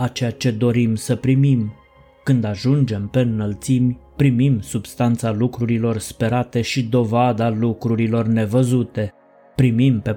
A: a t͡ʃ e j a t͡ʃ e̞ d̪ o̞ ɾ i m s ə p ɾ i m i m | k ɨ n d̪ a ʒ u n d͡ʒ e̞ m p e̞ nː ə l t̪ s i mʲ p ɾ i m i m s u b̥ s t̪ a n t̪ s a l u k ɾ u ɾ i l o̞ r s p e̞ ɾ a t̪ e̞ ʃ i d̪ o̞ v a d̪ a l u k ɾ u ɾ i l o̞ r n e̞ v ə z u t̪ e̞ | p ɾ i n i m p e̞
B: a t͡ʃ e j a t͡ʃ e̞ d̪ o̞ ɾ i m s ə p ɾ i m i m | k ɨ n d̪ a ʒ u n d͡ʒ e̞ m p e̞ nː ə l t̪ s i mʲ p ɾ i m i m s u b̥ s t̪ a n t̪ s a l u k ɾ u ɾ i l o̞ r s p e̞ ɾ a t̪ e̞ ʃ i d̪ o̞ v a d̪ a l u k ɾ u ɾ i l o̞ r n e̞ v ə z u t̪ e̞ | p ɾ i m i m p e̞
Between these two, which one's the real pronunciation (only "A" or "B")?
B